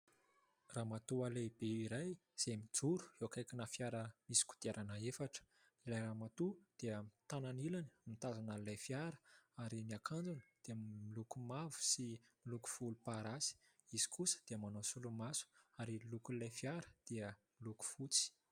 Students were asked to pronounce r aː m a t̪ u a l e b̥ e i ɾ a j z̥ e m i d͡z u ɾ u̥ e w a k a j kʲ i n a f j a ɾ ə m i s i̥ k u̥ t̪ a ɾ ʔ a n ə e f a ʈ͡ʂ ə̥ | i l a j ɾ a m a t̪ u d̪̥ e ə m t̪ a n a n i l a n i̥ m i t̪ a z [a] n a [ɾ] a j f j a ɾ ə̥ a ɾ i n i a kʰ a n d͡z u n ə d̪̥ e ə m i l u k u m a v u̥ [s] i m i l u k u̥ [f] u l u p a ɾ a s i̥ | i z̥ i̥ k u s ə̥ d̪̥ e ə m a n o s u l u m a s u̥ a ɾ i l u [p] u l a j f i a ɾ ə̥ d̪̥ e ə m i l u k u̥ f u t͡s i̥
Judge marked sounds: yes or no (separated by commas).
yes, no, yes, yes, no